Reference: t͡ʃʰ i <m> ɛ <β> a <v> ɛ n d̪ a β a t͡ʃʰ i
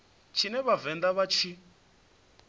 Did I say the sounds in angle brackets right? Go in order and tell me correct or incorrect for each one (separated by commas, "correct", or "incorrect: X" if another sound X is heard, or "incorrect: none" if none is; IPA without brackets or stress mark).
incorrect: n, correct, correct